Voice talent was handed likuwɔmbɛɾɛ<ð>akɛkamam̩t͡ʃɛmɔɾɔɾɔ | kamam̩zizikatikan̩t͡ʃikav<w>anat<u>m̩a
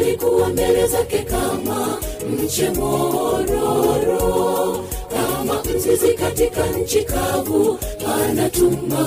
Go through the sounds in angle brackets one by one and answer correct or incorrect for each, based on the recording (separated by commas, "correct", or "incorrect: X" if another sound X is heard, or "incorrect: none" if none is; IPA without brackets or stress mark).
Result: incorrect: z, incorrect: u, correct